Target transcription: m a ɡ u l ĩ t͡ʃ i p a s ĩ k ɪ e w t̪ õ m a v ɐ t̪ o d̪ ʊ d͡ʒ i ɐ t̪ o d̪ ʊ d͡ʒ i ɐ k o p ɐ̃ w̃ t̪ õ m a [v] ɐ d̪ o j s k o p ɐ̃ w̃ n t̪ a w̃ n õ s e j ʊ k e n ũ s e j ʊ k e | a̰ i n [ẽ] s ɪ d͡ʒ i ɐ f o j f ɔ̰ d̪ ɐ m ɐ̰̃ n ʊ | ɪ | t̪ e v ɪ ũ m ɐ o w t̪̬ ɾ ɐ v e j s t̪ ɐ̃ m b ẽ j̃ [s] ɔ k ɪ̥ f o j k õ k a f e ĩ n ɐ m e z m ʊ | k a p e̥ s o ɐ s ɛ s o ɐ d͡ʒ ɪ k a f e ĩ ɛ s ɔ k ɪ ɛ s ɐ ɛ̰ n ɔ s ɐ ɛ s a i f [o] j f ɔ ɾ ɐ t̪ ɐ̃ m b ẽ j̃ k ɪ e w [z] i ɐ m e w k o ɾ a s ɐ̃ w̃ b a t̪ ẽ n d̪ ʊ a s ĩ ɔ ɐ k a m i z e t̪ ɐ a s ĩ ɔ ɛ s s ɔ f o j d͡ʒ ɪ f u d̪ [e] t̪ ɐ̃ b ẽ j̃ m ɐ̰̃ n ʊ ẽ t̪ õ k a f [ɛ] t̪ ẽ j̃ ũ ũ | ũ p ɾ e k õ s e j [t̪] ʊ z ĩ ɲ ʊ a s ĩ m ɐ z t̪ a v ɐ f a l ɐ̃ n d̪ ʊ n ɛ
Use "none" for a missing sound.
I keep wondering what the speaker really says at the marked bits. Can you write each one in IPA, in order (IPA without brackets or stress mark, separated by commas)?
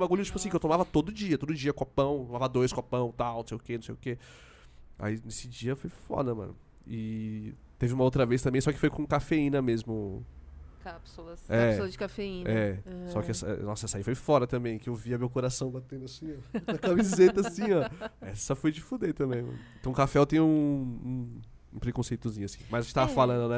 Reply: v, e, s, o, v, e, ɛ, t̪